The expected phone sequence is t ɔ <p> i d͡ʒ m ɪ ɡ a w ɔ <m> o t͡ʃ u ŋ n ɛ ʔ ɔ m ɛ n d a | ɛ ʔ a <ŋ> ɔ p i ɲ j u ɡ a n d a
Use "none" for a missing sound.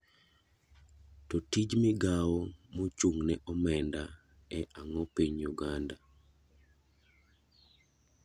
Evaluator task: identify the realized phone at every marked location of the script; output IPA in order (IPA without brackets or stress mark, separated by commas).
t, m, ŋ